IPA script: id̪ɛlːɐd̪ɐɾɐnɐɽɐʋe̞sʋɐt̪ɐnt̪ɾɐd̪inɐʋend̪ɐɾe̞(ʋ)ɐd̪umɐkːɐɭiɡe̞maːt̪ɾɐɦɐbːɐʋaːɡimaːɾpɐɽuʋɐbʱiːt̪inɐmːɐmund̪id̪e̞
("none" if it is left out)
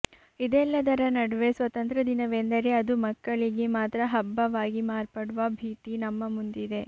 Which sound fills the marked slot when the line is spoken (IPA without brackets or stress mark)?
none